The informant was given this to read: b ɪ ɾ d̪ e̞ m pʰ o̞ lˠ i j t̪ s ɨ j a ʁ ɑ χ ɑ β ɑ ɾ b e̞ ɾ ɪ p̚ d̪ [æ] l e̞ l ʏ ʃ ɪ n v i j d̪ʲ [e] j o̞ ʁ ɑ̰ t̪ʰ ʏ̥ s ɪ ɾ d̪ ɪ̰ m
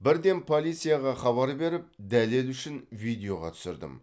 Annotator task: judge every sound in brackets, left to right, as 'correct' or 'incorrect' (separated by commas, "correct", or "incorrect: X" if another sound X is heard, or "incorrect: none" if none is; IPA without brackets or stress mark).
correct, correct